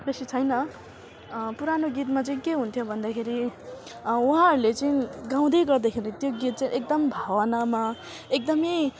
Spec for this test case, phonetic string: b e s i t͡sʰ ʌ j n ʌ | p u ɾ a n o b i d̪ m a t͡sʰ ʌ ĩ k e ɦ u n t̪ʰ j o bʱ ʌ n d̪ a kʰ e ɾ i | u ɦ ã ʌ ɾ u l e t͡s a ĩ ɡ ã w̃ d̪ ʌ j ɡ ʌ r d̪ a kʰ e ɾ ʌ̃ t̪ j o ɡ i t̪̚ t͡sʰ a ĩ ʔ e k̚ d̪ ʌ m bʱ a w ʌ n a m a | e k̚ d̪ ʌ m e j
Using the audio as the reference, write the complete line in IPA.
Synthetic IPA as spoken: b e s i t͡sʰ ʌ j n ʌ | p u ɾ a n o ɡ i t̪ m a t͡s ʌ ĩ k e ɦ u n t̪ʰ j o bʱ ʌ n d̪ a kʰ e ɾ i | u ɦ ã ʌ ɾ u l e t͡s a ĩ ɡ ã w̃ d̪ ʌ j ɡ ʌ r d̪ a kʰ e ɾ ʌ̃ t̪ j o ɡ i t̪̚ t͡s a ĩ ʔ e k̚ d̪ ʌ m bʱ a w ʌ n a m a | e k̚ d̪ ʌ m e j

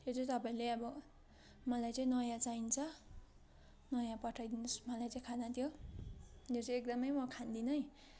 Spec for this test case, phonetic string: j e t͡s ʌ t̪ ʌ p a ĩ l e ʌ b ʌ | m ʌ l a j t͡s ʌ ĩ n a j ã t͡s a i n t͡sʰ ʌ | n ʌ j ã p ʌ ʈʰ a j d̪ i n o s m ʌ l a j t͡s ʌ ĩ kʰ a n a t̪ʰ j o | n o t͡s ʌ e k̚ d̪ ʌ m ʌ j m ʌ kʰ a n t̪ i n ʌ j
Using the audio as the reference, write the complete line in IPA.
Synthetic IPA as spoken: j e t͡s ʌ t̪ ʌ p a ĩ l e ʌ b ʌ | m ʌ l a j t͡s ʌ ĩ n ʌ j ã t͡s a i n t͡sʰ ʌ | n ʌ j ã p ʌ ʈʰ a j d̪ i n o s m ʌ l a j t͡s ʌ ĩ kʰ a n a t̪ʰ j o | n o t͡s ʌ e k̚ d̪ ʌ m ʌ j m ʌ kʰ a n d̪ i n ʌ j

